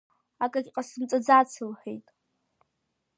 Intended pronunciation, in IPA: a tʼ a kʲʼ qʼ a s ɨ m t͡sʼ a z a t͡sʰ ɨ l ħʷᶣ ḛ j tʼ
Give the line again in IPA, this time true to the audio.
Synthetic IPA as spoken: a kʼ a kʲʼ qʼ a s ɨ m t͡sʼ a d͡z a t͡sʰ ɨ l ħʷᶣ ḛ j tʼ